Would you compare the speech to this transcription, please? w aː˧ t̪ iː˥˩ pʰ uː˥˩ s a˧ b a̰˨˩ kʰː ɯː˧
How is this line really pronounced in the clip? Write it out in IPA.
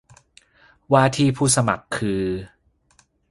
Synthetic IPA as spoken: w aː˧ t̪ʰ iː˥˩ pʰ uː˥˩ s a˧ m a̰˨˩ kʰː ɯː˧